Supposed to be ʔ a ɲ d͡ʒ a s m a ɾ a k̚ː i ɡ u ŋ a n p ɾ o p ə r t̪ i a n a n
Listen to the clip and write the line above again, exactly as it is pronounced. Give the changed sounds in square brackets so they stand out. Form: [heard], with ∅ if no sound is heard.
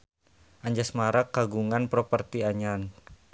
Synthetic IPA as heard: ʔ a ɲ d͡ʒ a s m a ɾ a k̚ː [a] ɡ u ŋ a n p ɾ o p ə r t̪ i a [ɲ] a n